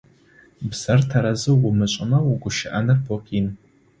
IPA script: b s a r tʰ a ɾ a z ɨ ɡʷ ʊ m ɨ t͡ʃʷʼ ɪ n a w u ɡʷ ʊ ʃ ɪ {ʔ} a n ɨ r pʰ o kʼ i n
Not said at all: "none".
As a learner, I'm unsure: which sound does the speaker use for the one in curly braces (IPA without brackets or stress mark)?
ʔ